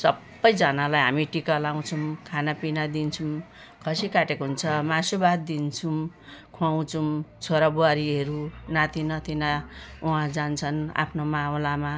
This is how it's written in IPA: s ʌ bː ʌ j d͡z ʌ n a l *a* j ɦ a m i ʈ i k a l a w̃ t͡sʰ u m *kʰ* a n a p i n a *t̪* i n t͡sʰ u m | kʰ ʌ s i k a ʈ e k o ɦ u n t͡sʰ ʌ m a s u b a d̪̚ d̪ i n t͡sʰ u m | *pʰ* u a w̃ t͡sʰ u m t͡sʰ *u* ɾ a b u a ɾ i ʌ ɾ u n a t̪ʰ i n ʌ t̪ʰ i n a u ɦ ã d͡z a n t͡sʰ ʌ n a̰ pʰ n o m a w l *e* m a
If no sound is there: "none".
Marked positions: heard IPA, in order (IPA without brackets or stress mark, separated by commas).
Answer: a, kʰ, d̪, kʰ, o, a